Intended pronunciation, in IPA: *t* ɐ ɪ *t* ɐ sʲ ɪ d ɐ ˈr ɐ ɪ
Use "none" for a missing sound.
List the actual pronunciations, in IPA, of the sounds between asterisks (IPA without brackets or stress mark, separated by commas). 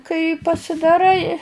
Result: k, p